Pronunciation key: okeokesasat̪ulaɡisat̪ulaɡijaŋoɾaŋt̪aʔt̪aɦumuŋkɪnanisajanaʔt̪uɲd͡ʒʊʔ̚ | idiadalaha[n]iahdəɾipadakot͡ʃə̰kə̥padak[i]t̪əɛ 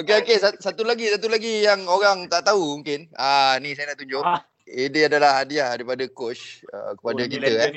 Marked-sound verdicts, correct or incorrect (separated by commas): incorrect, correct